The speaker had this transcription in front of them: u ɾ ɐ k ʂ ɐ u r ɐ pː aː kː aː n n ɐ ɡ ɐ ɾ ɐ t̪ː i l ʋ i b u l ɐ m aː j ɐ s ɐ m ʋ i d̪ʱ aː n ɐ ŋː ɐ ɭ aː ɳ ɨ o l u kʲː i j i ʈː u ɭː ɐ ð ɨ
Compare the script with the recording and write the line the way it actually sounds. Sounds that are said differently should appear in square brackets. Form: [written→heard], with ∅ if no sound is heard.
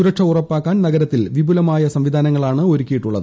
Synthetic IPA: u ɾ ɐ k ʂ ɐ u r ɐ pː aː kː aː n n ɐ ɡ ɐ ɾ ɐ t̪ː i l ʋ i b u l ɐ m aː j ɐ s ɐ m ʋ i d̪ʱ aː n ɐ ŋː ɐ ɭ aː ɳ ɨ o [l→ɾ] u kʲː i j i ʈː u ɭː ɐ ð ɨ